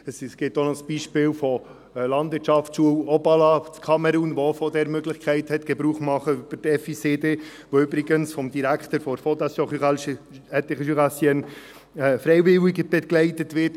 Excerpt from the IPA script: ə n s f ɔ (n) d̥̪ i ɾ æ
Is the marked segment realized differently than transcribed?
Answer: yes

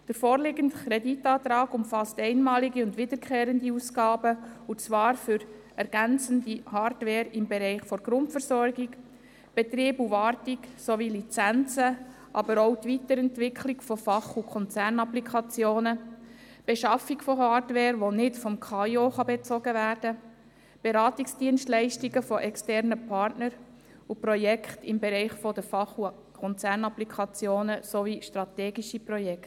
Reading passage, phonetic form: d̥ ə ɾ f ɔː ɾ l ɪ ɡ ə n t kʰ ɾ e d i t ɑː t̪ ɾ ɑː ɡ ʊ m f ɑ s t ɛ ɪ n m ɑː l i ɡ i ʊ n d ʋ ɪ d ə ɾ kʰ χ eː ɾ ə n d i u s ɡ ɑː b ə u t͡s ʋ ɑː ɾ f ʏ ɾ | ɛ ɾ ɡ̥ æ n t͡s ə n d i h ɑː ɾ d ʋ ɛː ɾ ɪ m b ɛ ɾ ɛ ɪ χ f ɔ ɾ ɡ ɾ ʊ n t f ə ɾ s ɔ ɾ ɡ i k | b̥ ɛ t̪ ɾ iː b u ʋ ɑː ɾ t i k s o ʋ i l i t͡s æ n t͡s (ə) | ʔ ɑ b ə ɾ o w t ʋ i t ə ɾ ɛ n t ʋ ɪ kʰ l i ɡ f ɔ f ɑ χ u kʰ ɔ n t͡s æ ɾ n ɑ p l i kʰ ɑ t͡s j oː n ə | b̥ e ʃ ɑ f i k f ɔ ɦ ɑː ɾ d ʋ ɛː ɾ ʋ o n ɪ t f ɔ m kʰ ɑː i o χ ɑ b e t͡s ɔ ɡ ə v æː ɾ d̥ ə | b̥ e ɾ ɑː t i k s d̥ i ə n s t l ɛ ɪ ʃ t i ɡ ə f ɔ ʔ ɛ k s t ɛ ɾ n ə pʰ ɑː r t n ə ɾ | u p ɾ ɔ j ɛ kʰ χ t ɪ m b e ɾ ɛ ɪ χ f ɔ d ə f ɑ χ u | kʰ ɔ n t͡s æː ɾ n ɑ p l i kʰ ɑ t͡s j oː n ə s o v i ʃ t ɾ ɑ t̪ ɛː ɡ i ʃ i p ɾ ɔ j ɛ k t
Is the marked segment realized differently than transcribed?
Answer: no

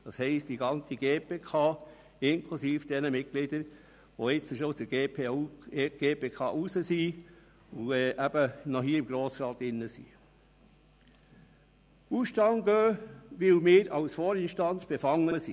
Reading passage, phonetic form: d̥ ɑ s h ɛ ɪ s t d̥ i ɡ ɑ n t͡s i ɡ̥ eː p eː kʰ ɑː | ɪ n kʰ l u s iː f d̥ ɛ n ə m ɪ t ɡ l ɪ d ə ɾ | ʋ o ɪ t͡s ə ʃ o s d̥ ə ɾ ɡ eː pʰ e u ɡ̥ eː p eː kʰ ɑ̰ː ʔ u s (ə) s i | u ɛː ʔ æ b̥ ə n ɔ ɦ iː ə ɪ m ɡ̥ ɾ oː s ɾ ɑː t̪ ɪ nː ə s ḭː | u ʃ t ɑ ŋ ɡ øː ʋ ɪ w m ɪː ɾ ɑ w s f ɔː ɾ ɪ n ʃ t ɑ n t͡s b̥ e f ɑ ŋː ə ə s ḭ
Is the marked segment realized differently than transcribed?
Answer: no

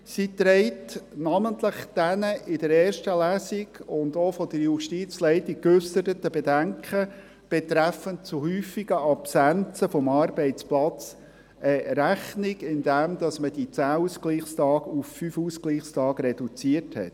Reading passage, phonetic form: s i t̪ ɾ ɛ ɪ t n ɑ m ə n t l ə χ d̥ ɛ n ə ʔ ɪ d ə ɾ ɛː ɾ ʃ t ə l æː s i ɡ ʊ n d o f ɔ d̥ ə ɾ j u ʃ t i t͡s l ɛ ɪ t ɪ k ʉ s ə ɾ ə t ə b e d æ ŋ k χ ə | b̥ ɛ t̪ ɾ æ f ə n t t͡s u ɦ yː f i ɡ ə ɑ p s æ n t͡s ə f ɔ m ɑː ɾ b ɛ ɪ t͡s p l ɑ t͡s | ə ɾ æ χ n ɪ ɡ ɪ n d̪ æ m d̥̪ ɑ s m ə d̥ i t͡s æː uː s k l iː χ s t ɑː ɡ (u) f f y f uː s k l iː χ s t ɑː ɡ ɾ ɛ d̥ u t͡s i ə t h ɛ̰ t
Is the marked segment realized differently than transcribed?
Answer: no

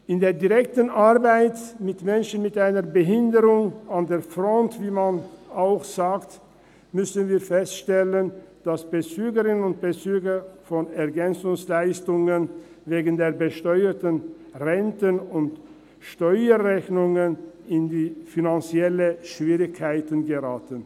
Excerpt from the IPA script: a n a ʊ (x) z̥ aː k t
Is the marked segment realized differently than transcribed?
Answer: no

